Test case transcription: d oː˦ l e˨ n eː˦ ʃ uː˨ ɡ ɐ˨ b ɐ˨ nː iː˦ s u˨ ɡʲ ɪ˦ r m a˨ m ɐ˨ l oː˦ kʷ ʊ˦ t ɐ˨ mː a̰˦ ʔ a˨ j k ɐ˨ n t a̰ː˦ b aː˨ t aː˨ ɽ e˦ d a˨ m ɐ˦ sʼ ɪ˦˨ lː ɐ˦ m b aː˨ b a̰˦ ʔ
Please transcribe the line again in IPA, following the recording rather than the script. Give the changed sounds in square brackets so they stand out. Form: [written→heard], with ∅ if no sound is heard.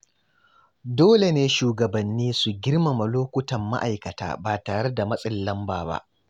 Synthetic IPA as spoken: d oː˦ l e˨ n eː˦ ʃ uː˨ ɡ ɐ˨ b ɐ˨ nː iː˦ s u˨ ɡʲ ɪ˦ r m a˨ m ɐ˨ l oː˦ kʷ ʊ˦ t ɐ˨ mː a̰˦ ʔ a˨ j k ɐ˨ [n→∅] t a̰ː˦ b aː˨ t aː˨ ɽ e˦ d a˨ m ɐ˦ sʼ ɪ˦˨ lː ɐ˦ m b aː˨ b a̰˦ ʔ